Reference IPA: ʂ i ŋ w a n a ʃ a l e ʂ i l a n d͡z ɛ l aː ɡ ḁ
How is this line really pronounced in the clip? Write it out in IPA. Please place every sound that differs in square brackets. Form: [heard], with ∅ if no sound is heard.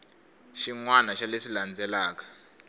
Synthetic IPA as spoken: [ʃ] i ŋ w a n a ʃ a l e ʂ i l a n d͡z ɛ l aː [k] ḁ